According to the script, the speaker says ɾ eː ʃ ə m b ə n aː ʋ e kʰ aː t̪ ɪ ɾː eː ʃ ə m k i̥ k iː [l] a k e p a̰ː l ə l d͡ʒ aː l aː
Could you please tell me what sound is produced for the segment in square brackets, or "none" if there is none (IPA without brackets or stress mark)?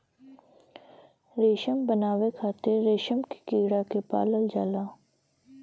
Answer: ɽ